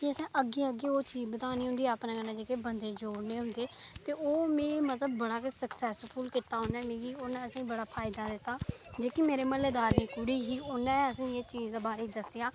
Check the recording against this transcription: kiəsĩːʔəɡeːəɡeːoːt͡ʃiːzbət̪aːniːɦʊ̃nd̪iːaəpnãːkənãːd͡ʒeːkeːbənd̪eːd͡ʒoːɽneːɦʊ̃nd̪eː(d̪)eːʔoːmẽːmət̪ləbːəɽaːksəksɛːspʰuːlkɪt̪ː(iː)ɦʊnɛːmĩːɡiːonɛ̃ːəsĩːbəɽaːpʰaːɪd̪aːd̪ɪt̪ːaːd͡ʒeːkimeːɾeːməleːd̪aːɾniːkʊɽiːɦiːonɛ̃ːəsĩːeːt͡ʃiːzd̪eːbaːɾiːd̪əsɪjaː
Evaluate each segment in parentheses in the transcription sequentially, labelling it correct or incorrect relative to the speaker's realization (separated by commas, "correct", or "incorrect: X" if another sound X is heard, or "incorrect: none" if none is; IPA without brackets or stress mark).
incorrect: t̪, incorrect: aː